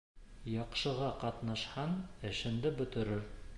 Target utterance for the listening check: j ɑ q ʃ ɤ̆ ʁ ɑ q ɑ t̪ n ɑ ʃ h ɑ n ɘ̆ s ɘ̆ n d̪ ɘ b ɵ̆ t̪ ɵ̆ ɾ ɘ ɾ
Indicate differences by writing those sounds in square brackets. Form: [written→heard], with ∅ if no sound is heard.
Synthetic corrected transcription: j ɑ q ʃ ɤ̆ ʁ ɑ q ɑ t̪ n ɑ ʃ h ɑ n ɘ̆ [s→ʃ] ɘ̆ n d̪ ɘ b ɵ̆ t̪ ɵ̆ ɾ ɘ ɾ